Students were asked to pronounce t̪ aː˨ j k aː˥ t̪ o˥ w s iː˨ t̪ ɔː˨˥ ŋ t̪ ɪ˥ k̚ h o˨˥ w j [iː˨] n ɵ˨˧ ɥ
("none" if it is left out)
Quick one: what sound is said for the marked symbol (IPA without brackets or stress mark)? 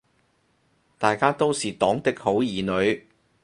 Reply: iː˨